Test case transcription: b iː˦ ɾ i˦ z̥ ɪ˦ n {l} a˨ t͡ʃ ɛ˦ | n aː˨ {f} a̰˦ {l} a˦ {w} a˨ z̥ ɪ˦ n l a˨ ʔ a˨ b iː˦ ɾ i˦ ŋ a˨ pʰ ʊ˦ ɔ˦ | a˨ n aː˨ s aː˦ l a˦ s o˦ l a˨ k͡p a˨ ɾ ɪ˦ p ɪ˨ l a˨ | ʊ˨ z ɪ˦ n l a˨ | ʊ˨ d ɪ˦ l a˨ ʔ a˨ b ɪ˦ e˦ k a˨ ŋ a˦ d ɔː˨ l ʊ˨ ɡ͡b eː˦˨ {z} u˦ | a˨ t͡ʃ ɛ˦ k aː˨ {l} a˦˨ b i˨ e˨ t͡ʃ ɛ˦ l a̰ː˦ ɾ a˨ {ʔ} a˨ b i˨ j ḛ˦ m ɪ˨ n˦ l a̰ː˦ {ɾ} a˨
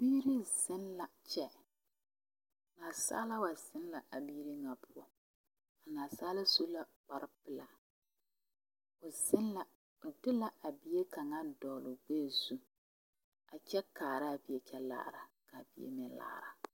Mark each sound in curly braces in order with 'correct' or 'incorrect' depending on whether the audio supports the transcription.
correct, incorrect, correct, correct, correct, incorrect, incorrect, correct

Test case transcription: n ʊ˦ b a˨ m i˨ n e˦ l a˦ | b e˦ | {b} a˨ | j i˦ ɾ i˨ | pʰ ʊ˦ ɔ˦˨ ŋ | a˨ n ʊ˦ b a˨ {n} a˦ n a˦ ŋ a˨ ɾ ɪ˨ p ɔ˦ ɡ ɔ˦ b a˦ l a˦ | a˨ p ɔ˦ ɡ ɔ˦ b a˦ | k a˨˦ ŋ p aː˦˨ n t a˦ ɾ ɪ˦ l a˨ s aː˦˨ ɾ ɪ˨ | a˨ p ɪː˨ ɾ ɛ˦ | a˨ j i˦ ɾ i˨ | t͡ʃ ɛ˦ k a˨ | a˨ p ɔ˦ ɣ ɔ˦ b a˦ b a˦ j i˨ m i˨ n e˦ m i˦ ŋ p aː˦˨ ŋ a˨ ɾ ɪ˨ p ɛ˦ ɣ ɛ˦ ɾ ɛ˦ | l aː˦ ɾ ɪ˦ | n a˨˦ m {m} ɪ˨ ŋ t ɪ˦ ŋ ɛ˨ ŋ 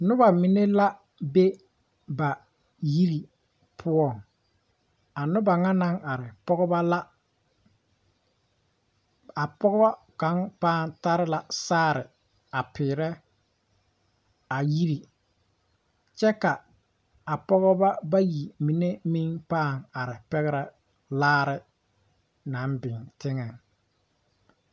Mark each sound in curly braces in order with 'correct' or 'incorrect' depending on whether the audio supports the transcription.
correct, incorrect, incorrect

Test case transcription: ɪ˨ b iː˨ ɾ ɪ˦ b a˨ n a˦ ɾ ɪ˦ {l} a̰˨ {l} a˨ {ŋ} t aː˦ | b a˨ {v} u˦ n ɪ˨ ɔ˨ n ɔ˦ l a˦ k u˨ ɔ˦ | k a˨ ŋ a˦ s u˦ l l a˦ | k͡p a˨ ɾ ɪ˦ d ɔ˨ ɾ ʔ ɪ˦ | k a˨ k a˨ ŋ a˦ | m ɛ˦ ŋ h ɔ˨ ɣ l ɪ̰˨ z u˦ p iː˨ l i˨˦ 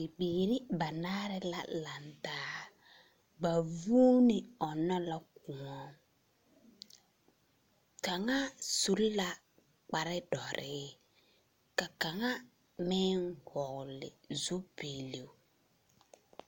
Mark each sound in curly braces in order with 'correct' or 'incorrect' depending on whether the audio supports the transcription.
correct, correct, incorrect, correct

